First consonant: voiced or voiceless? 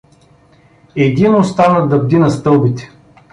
voiced